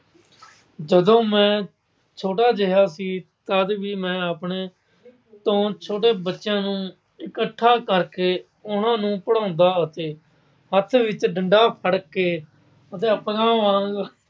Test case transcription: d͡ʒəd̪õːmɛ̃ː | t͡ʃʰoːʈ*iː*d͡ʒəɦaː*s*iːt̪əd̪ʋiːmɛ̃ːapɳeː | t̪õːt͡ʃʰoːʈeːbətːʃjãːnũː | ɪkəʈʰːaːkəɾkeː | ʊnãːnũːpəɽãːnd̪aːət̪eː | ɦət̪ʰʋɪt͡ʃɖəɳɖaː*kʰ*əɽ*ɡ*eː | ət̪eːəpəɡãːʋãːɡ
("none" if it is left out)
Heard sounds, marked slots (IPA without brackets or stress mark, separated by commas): aː, s, pʰ, k